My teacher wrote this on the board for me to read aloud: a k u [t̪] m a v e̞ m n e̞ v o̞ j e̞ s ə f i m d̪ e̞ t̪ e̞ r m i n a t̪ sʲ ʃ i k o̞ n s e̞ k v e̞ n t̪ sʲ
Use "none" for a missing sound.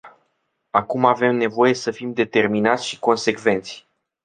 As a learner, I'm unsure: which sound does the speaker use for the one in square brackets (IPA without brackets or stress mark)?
none